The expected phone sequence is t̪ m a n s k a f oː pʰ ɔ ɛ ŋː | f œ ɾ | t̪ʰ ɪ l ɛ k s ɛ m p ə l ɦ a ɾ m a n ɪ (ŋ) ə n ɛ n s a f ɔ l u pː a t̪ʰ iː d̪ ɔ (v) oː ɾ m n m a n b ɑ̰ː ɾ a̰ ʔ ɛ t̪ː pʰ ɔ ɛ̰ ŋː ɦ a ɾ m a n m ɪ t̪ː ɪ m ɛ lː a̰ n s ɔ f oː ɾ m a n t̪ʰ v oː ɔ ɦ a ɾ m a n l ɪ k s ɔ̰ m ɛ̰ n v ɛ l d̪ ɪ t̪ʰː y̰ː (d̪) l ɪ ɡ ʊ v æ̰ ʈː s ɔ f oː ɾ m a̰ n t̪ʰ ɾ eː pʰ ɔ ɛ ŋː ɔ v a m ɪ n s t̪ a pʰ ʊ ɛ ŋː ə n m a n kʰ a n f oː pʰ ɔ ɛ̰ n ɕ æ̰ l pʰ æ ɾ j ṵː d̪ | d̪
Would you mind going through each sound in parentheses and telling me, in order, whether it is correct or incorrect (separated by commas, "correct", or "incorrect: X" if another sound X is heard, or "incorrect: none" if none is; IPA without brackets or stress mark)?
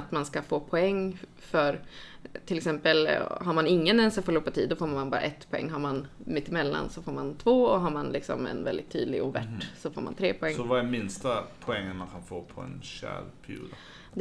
incorrect: ŋː, incorrect: f, correct